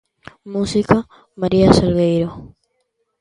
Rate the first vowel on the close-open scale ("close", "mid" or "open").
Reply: close